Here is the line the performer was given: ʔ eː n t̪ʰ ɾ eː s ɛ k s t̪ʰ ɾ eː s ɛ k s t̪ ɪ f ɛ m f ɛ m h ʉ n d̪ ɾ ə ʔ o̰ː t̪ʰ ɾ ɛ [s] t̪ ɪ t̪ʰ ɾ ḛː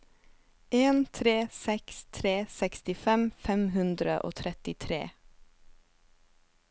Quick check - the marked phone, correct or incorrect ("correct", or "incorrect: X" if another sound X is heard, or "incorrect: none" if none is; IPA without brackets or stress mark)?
incorrect: none